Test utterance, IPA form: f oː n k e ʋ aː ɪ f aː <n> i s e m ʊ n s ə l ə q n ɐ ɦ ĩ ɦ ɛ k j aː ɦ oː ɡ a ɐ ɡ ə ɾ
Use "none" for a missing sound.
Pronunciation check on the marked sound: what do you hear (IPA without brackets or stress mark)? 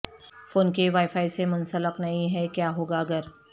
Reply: none